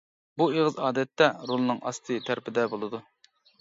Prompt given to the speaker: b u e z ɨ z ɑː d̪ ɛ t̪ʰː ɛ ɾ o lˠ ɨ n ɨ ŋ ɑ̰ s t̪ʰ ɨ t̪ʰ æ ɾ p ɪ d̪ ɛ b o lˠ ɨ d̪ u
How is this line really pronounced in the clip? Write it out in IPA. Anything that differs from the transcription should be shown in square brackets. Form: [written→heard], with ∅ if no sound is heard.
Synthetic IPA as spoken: b u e [z→ʁ] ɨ z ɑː d̪ ɛ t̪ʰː ɛ ɾ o lˠ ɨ n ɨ ŋ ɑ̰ s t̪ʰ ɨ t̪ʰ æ ɾ p ɪ d̪ ɛ b o lˠ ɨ d̪ u